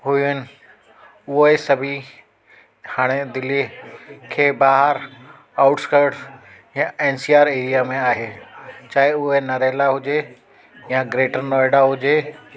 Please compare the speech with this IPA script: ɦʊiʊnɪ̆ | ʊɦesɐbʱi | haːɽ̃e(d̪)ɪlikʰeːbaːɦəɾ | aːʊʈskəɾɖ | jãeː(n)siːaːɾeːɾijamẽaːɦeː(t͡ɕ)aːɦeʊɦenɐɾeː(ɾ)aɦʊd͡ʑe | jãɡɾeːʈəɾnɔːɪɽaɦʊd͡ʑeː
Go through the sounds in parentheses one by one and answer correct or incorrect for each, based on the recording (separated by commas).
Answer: correct, correct, correct, incorrect